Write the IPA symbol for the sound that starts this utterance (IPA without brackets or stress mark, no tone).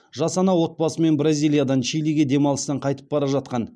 ʒ